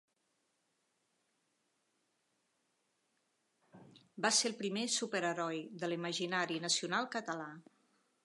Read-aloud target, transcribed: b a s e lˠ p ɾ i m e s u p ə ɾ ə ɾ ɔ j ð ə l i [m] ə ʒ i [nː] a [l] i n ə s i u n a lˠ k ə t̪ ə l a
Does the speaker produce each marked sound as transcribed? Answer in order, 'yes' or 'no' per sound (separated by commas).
yes, no, no